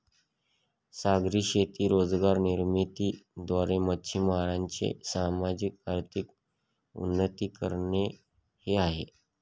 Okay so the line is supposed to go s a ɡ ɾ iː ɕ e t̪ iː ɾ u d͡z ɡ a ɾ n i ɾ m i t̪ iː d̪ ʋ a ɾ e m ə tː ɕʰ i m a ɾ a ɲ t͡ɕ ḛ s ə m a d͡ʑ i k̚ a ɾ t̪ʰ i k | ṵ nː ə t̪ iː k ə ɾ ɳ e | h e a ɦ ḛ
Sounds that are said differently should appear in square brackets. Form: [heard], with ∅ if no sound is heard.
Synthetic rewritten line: s a ɡ ɾ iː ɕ e t̪ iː ɾ [o] d͡z ɡ a ɾ n i ɾ m i t̪ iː d̪ ʋ a ɾ e m ə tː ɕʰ i m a ɾ a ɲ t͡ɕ ḛ s [a] m a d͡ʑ i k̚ a ɾ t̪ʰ i k | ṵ nː ə t̪ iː k ə ɾ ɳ e | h e a ɦ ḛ